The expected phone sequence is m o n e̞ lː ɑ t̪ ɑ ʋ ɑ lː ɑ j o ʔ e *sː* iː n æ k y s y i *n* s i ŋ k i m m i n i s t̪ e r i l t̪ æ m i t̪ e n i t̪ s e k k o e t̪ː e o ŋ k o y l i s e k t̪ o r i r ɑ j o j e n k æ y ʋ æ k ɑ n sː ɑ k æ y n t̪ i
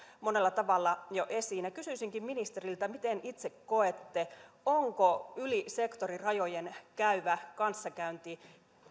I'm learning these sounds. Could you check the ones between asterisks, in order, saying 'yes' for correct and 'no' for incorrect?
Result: no, no

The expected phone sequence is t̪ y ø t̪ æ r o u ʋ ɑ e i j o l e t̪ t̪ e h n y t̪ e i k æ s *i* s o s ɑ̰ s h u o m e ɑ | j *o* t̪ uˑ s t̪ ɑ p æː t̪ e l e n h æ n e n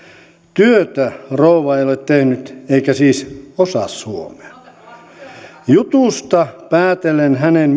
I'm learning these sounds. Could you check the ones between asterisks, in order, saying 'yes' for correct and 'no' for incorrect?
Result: no, no

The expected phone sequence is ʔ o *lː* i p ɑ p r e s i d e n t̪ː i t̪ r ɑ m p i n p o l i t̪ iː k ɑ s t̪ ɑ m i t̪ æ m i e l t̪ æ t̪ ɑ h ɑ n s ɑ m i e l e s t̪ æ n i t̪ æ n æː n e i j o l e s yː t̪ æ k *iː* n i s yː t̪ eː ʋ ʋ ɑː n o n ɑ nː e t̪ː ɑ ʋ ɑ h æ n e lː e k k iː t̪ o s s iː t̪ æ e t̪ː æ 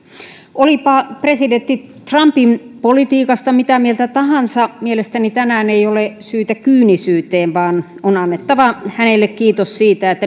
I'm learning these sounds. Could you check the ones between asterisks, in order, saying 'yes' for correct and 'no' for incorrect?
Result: no, no

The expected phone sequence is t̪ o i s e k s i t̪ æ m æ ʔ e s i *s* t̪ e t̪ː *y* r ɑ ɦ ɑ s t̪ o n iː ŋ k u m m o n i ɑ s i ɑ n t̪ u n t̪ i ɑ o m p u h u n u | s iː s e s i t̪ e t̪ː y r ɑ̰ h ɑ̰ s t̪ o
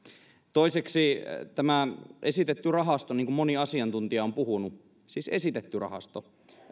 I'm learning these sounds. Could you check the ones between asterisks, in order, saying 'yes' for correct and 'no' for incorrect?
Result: no, yes

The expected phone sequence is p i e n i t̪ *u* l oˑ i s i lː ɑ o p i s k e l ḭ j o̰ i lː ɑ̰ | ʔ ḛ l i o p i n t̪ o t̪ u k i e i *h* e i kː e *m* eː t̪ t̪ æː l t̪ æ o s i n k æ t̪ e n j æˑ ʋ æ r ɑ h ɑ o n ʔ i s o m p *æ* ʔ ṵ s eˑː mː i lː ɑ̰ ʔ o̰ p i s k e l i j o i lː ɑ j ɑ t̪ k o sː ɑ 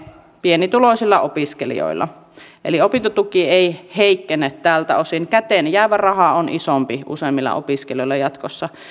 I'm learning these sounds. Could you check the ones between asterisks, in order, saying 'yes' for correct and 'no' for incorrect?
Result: yes, yes, no, no

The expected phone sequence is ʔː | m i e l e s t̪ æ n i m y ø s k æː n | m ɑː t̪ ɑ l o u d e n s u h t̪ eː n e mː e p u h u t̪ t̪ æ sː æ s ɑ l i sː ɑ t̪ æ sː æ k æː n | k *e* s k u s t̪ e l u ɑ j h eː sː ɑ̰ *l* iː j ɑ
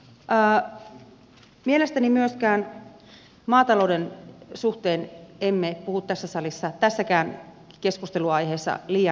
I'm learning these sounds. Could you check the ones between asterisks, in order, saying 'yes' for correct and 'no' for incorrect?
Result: yes, yes

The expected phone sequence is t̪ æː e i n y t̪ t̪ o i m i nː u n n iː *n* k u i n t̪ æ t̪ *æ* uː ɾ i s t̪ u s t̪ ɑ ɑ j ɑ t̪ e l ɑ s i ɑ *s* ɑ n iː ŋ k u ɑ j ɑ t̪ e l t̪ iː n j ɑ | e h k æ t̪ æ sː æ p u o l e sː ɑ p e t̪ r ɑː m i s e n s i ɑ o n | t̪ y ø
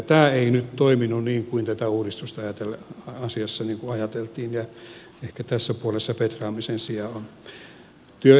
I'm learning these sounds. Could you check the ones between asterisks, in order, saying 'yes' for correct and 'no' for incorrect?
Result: no, yes, no

